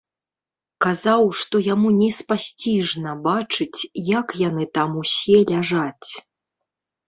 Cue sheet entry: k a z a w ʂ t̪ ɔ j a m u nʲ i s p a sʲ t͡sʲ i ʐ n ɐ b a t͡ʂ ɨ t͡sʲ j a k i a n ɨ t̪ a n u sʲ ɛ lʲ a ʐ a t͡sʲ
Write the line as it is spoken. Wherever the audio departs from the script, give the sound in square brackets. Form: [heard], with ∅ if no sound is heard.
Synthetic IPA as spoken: k a z a w ʂ t̪ ɔ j a m u nʲ [ɛ] s p a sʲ t͡sʲ i ʐ n ɐ b a t͡ʂ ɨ t͡sʲ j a k [j] a n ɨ t̪ a [m] u sʲ ɛ lʲ a ʐ a t͡sʲ